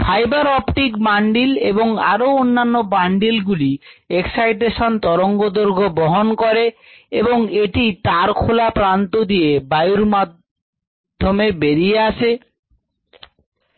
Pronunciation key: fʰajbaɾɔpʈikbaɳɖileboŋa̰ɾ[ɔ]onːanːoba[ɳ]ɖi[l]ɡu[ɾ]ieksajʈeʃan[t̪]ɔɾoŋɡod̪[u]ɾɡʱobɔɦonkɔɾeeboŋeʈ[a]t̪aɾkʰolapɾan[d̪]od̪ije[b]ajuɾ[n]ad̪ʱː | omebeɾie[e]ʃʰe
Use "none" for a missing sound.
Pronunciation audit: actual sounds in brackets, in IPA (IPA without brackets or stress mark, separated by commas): o, ɳ, l, l, t̪, o, i, t̪, b, m, a